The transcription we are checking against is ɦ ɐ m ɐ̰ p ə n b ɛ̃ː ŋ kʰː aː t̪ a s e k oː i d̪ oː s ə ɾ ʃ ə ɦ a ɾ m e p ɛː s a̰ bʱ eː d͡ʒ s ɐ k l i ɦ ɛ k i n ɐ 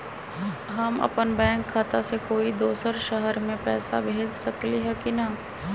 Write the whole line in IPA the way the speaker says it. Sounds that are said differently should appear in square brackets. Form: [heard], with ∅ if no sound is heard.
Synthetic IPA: ɦ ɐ m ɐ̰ p ə n b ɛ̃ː ŋ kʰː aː t̪ a s e k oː i d̪ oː s ə ɾ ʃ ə ɦ [ə] ɾ m [ẽ] p ɛː s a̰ bʱ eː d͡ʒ s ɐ k l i ɦ ɛ k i n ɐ